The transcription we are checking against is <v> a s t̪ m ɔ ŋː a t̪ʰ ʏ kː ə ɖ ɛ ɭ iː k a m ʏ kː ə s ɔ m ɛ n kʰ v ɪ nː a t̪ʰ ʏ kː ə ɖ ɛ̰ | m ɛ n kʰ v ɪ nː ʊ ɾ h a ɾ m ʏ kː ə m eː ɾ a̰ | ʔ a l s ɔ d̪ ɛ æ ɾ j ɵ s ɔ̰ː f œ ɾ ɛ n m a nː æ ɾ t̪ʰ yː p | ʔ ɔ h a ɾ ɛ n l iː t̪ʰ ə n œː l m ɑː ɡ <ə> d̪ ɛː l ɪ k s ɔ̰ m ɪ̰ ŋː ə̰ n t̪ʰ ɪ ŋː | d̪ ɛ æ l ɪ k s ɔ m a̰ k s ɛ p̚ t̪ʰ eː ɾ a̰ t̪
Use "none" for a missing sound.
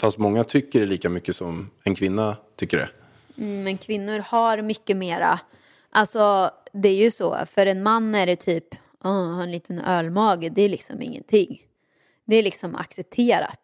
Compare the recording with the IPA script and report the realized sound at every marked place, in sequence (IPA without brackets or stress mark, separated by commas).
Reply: f, ə